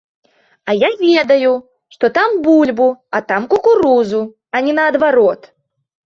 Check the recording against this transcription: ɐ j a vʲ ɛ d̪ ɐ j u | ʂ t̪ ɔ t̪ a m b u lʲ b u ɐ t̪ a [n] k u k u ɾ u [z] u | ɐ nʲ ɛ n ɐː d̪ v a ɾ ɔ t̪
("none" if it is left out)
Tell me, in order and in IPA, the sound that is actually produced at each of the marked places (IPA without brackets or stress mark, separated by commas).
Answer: m, z